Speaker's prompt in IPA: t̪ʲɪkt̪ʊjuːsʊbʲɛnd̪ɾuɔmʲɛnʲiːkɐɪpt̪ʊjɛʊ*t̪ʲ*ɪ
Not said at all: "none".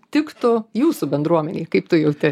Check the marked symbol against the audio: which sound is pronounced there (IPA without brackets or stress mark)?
t̪ʲ